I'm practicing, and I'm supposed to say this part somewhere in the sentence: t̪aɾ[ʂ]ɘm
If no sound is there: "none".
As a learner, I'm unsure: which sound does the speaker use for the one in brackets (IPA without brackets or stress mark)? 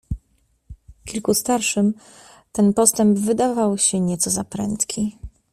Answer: ʂ